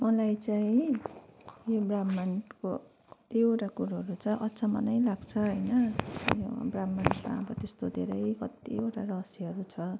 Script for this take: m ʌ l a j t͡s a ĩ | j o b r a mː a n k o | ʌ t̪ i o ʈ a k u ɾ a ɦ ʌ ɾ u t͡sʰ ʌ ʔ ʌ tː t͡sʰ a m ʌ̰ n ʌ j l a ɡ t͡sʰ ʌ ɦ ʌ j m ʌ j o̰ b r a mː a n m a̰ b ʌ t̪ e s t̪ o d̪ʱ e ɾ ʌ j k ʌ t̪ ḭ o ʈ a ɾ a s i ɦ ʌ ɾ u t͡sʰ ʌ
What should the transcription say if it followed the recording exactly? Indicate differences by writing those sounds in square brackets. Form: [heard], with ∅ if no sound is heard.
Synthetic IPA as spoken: m ʌ l a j t͡s a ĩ | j o b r a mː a n k o | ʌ t̪ i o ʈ a k u ɾ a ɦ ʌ ɾ u t͡sʰ ʌ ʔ ʌ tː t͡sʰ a m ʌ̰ n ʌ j l a ɡ t͡sʰ ʌ ɦ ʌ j [n] ʌ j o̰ b r a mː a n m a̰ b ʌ t̪ e s t̪ o d̪ʱ e ɾ ʌ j k ʌ t̪ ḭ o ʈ a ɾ [ʌ] s i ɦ ʌ ɾ u t͡sʰ ʌ